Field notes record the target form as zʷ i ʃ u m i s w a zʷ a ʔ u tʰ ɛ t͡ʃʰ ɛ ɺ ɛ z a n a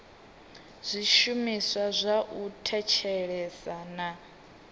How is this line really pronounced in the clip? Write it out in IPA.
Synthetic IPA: zʷ i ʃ u m i s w a zʷ a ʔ u tʰ ɛ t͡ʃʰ ɛ ɺ ɛ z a n a

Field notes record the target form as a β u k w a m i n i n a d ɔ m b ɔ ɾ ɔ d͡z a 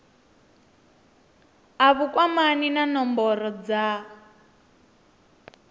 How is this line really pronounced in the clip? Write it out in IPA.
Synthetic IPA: a β u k w a m a n i n a n ɔ m b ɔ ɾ ɔ d͡z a

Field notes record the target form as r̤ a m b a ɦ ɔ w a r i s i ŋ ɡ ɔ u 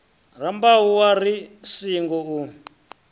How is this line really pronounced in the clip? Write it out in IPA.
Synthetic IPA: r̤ a m b a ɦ u w a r i s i ŋ ɡ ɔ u

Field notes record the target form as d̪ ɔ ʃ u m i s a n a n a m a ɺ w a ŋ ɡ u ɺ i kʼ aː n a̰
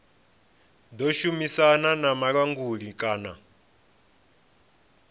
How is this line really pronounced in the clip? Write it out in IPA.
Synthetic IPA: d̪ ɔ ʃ u m i s a n a n a m a ɺ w a ŋ ɡ u ɺ i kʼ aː n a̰

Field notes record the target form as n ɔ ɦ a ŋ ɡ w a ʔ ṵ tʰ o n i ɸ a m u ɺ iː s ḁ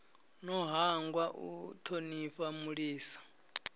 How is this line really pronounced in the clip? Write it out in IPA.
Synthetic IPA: n ɔ ɦ a ŋ ɡ w a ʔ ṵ tʰ o n i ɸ a m u ɺ iː s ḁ

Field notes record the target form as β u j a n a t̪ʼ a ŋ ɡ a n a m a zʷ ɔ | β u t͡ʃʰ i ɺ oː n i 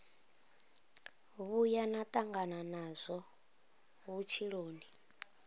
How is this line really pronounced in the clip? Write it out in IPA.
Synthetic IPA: β u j a n a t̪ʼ a ŋ ɡ a n a n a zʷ ɔ | β u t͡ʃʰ i ɺ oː n i

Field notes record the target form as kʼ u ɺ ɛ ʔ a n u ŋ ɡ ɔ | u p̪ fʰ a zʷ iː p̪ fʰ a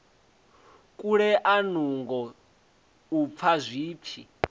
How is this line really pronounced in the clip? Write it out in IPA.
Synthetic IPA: kʼ u ɺ ɛ ʔ a n u ŋ ɡ ɔ | u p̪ fʰ a zʷ iː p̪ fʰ i

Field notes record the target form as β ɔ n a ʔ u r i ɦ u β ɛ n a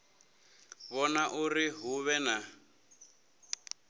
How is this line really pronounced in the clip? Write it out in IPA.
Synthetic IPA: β ɔ n a ʔ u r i ɦ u β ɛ n a

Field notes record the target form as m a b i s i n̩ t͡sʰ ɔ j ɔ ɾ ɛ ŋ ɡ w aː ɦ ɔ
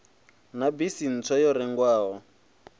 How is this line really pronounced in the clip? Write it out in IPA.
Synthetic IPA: n a b i s i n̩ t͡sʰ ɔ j ɔ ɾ ɛ ŋ ɡ w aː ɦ ɔ

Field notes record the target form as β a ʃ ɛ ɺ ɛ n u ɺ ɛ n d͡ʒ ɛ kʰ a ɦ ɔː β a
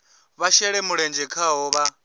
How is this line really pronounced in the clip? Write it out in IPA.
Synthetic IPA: β a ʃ ɛ ɺ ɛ m u ɺ ɛ n d͡ʒ ɛ kʰ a ɦ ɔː β a

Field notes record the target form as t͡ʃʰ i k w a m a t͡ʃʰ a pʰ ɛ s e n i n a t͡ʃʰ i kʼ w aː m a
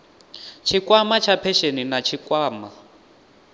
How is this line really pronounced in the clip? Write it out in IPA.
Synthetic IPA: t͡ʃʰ i k w a m a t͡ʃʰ a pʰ ɛ ʃ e n i n a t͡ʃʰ i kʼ w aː m a

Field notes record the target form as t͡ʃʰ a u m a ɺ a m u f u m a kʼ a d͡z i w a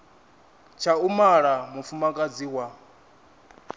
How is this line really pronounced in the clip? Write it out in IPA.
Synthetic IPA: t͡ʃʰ a u m a ɺ a m u f u m a kʼ a d͡z i w a

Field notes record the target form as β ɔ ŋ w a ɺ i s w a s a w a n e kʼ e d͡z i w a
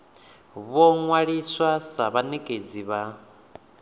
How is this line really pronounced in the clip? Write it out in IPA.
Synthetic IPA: β ɔ ŋ w a ɺ i s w a s a β a n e kʼ e d͡z i β a

